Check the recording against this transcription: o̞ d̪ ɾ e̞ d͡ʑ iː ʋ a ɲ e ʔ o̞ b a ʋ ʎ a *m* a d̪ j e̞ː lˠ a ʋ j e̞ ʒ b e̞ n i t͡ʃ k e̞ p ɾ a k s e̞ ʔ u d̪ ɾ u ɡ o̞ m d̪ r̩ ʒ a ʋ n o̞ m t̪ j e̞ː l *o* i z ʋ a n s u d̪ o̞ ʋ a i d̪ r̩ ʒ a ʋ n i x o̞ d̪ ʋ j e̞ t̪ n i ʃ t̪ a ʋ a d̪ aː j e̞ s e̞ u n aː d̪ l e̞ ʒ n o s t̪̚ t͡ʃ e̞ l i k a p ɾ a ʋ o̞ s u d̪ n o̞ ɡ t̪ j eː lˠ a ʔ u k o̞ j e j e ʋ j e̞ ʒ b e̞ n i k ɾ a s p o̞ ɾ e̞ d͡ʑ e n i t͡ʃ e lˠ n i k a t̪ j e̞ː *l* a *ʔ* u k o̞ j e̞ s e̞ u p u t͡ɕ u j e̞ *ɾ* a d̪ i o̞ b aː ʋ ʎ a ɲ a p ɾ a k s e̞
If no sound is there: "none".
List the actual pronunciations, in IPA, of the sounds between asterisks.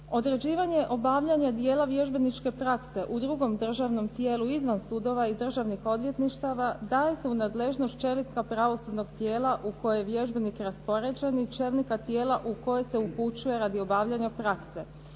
ɲ, u, l, ʔ, ɾ

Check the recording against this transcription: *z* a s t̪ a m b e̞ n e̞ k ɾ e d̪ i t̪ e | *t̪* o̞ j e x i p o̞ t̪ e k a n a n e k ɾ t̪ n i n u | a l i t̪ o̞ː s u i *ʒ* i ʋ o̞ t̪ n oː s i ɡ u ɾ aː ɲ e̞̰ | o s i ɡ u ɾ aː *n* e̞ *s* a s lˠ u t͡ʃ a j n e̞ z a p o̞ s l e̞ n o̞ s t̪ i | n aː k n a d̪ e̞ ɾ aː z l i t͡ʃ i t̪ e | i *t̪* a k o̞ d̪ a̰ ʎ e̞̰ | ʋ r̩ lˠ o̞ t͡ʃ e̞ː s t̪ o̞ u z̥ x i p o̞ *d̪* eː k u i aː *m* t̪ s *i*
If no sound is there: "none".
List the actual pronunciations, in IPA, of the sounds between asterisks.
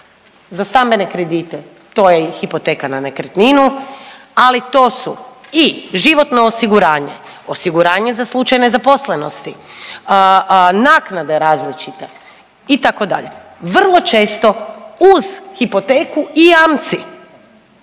z, t̪, ʒ, ɲ, z, t̪, t̪, m, i

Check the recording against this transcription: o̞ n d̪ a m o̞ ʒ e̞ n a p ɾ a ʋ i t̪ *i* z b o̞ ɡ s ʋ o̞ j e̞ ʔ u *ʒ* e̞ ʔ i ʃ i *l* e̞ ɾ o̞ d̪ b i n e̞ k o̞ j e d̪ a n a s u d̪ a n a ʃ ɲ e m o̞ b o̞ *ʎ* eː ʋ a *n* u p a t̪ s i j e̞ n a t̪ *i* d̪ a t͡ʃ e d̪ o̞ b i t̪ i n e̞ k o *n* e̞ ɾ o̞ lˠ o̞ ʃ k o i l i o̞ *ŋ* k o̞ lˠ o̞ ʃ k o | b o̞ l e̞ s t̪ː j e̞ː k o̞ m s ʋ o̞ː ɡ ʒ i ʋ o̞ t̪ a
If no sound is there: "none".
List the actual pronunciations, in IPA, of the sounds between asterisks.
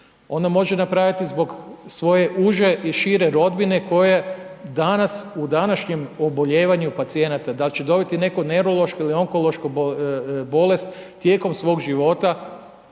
i, ʒ, ɾ, ʎ, ɲ, a, n, ŋ

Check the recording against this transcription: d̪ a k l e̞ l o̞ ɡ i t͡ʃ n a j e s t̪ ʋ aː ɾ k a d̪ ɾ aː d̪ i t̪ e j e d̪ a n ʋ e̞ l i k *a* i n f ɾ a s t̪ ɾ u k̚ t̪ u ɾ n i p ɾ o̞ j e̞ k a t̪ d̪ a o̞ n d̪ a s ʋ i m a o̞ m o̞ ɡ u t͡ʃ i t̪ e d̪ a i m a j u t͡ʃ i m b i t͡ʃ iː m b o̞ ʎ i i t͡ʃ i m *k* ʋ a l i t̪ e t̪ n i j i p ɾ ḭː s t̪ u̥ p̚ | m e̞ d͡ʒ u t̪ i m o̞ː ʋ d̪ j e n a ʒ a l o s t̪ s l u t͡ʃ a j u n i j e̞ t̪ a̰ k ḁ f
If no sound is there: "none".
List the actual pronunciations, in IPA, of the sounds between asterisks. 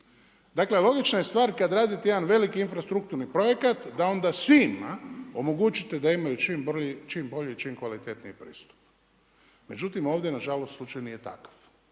i, k

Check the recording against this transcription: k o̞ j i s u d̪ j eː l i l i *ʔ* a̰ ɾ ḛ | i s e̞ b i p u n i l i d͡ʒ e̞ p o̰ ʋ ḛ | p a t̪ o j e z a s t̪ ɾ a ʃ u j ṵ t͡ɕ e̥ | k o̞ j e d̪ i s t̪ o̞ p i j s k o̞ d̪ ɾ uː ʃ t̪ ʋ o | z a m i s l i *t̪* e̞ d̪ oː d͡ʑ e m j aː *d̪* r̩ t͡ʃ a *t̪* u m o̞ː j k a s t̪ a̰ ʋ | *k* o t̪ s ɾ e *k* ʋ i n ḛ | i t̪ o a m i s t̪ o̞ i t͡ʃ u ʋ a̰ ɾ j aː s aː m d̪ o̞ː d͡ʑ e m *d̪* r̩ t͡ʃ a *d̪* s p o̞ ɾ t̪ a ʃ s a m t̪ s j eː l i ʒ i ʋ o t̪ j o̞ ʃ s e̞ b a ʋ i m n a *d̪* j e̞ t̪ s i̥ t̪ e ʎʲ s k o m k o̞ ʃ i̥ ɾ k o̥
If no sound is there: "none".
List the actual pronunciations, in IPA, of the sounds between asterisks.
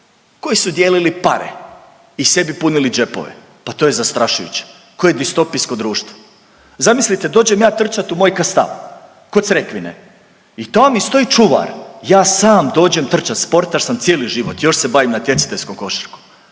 p, t̪, t̪, t̪, k, k, t̪, t̪, t̪

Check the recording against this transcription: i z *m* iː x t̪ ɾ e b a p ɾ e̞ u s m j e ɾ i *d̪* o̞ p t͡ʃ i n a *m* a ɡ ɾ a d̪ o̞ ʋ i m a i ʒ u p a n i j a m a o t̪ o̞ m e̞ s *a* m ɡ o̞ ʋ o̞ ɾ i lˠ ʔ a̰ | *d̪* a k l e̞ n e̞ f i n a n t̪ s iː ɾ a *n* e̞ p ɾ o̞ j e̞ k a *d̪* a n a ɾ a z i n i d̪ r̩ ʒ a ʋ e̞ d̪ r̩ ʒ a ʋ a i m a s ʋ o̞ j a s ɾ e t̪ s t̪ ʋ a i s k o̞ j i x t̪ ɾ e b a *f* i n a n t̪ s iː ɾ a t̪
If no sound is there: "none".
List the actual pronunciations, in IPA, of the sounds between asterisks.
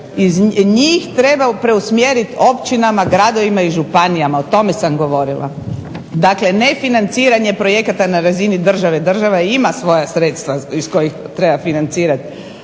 ɲ, t̪, m, a, d̪, ɲ, t̪, f

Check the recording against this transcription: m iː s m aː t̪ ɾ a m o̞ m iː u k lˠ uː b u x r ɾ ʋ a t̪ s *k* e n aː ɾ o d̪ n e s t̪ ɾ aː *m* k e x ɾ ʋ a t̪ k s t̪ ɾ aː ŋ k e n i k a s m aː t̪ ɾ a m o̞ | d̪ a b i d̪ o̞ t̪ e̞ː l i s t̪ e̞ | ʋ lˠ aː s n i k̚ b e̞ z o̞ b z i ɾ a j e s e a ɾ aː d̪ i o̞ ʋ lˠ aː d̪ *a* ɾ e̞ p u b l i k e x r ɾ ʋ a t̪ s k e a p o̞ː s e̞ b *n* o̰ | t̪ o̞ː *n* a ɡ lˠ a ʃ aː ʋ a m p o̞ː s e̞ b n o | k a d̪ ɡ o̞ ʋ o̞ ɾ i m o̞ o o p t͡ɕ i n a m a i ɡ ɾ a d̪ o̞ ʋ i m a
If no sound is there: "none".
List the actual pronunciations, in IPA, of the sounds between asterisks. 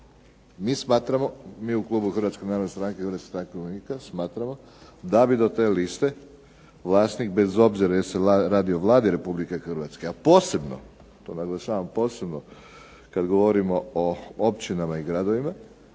k, ŋ, i, n, n

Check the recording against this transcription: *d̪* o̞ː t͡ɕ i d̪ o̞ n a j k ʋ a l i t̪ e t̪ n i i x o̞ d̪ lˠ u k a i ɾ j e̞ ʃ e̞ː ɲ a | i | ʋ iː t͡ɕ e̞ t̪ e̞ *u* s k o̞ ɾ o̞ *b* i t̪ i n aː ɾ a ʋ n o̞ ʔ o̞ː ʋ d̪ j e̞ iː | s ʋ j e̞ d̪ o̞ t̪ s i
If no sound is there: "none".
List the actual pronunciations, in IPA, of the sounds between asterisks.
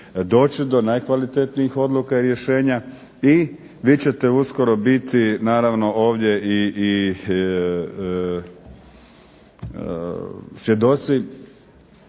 d̪, u, b

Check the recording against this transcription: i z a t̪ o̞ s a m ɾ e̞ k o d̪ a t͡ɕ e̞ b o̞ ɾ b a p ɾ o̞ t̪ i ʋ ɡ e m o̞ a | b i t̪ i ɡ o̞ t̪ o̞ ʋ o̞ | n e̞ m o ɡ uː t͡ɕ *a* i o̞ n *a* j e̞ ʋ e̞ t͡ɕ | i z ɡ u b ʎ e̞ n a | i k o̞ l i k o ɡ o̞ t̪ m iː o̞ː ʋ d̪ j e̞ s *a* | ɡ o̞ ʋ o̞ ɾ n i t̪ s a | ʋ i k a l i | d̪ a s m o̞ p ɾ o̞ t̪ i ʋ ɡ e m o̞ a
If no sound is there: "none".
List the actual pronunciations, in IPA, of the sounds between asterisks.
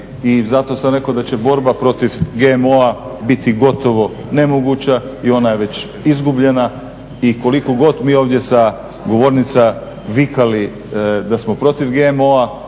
a, a, a

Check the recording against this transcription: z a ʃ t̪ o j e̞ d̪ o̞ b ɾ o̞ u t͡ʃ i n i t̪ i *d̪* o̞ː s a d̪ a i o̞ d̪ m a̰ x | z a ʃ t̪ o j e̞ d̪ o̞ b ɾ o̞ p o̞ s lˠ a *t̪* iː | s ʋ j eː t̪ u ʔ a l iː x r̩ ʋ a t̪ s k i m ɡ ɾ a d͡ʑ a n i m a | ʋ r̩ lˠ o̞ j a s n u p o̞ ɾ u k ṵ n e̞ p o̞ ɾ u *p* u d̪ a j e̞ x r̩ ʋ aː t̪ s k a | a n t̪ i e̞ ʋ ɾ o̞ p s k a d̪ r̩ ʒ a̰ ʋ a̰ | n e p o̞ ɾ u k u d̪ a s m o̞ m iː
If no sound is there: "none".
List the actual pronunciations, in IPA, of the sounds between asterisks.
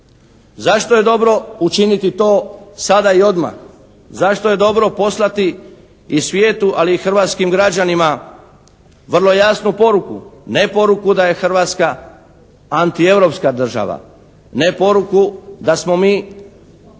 t̪, t̪, k

